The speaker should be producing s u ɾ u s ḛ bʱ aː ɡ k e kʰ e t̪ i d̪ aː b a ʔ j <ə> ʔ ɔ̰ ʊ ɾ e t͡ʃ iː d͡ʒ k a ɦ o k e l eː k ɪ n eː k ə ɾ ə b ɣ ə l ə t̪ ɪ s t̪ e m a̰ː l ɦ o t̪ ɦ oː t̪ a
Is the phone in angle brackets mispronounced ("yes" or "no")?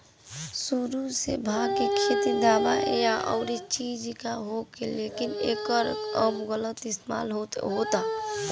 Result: yes